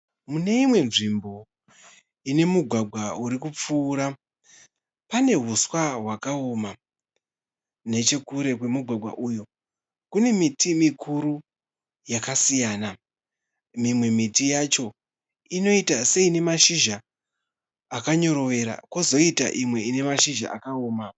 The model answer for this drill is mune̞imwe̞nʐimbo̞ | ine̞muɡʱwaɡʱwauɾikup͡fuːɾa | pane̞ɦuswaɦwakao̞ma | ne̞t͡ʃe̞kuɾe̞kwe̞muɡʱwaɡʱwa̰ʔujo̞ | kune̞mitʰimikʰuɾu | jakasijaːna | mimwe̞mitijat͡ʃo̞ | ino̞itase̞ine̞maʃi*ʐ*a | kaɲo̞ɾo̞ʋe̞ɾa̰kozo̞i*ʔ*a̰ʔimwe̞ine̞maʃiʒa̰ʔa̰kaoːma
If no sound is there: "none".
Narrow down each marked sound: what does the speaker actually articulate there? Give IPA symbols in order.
ʒ, t

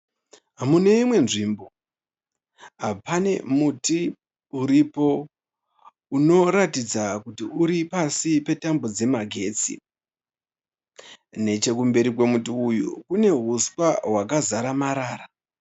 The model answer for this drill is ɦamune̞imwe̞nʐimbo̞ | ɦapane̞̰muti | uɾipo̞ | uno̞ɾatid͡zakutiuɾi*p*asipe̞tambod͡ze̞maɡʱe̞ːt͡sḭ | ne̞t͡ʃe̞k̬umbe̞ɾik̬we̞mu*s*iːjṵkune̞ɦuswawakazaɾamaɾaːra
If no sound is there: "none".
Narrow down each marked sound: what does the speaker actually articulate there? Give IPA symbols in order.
p, t

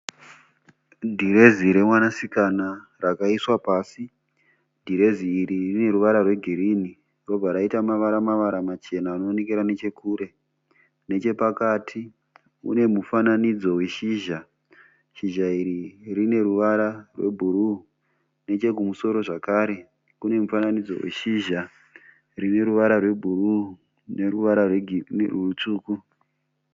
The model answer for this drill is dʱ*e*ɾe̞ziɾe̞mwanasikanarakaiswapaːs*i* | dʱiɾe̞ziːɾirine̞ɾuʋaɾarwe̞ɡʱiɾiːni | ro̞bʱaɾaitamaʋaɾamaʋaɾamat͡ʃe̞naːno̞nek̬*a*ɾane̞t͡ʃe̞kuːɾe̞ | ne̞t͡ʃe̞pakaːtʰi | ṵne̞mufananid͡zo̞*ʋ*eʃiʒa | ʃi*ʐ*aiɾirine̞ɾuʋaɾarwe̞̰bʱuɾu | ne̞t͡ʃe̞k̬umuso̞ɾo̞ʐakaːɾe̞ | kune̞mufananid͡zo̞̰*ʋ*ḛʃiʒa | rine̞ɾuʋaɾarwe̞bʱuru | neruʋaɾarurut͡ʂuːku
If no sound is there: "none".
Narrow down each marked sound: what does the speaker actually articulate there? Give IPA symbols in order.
i, i, e, w, ʒ, w

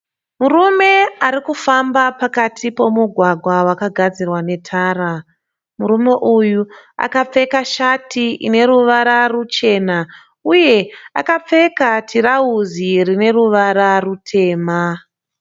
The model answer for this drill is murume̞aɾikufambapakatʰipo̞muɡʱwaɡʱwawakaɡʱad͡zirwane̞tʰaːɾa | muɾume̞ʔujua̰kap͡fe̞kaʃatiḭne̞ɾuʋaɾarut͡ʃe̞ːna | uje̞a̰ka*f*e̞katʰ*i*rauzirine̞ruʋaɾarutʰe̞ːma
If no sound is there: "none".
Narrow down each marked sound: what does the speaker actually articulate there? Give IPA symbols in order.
p͡f, i

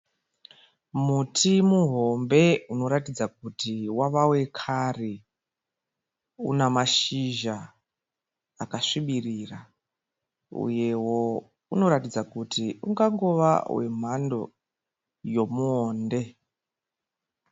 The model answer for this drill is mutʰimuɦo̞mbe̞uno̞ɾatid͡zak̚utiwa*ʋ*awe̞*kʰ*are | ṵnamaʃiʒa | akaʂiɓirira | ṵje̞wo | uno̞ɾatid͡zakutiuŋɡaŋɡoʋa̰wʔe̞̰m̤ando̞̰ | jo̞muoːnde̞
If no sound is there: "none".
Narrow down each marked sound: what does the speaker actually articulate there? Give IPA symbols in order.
ʋ, kʰ

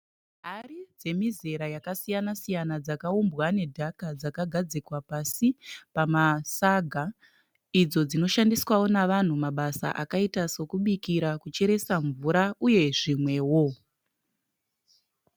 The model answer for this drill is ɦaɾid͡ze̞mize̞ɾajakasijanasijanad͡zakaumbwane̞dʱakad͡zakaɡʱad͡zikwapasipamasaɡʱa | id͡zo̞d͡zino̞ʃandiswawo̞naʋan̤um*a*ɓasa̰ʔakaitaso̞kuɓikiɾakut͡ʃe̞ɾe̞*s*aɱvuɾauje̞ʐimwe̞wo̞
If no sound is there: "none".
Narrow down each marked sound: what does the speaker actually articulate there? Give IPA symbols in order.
a, s

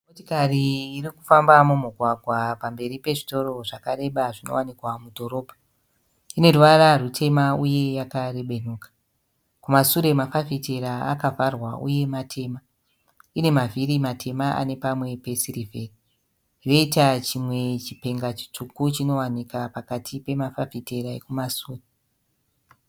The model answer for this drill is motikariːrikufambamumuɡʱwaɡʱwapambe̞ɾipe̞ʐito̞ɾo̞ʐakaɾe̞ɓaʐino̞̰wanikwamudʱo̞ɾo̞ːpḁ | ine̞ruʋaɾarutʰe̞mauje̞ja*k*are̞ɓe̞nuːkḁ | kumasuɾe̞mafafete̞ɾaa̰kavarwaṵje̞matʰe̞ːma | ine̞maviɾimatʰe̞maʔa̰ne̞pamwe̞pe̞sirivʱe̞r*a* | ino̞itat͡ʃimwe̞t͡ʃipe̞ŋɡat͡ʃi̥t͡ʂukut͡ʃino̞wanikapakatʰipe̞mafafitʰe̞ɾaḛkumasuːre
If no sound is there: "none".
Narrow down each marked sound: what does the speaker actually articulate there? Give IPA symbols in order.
k, i

